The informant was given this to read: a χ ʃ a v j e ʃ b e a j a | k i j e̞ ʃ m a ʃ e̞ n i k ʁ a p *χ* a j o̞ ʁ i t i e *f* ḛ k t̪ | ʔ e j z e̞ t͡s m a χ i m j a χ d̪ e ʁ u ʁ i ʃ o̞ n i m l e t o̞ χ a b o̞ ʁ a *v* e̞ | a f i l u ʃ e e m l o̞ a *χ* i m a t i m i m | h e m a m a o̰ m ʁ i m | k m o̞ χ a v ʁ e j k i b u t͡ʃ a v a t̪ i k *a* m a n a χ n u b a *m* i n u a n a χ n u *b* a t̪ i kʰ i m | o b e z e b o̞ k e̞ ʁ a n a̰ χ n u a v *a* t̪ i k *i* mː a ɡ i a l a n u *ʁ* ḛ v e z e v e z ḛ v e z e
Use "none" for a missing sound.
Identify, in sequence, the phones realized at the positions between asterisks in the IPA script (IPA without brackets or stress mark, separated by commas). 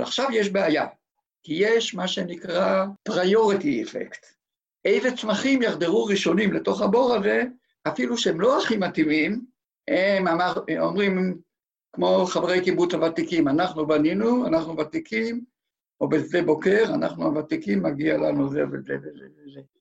ʁ, f, z, χ, i, n, v, a, i, z